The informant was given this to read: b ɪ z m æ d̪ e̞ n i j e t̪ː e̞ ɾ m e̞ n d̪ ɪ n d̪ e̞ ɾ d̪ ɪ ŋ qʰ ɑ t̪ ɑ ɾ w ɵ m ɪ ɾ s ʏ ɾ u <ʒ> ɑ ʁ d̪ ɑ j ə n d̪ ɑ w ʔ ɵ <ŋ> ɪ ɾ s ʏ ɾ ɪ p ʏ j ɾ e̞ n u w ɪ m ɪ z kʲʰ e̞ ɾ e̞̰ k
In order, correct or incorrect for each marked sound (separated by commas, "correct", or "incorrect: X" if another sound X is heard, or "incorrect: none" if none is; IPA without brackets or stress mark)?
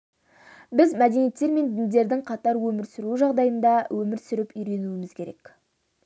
correct, incorrect: m